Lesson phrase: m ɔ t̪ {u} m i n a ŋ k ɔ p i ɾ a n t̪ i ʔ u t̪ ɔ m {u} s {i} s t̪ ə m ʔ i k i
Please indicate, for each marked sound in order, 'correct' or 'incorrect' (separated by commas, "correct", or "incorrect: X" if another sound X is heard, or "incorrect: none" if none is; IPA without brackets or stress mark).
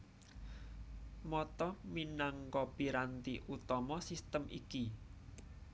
incorrect: ɔ, incorrect: ɔ, correct